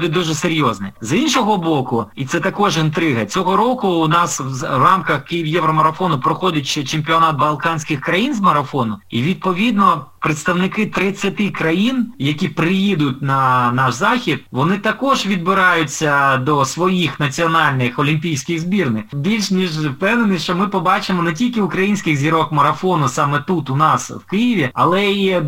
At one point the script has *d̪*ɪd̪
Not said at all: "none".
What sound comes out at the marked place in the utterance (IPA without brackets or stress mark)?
d̪